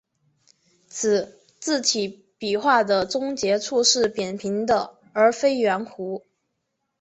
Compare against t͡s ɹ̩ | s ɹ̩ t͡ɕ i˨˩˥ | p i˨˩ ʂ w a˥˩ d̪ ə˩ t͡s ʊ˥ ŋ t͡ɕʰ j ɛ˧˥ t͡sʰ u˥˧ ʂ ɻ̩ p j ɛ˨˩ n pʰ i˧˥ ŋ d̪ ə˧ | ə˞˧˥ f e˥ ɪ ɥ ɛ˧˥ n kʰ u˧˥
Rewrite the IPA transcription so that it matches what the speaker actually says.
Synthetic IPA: t͡sʰ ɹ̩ | t͡s ɹ̩ t͡ɕ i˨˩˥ | p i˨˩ x w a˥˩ d̪ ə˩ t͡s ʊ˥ ŋ t͡ɕ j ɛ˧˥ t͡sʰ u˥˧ ʂ ɻ̩ p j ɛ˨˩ n pʰ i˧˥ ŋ d̪ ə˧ | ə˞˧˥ f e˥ ɪ ɥ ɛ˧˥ n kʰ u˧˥